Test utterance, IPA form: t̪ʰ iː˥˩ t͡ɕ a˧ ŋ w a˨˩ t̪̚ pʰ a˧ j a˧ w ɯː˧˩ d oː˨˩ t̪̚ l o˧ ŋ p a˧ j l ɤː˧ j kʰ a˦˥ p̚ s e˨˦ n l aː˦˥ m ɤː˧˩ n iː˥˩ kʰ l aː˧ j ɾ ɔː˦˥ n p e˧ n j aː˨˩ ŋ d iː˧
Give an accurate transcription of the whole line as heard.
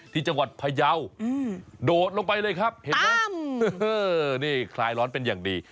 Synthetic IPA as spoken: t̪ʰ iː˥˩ t͡ɕ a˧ ŋ w a˨˩ t̪̚ pʰ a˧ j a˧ w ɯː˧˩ d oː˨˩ t̪̚ l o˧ ŋ p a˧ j l ɤː˧ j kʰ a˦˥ p̚ h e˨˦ n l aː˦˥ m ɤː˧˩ n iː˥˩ kʰ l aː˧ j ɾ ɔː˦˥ n p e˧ n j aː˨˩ ŋ d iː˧